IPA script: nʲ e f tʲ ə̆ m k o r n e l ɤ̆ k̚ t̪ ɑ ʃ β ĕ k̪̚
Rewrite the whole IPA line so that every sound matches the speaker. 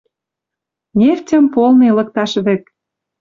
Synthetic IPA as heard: nʲ e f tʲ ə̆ m p o l n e l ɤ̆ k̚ t̪ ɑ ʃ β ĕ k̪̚